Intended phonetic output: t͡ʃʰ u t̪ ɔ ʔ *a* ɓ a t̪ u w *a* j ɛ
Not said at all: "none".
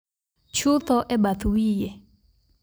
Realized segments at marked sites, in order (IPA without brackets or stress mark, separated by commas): ɛ, i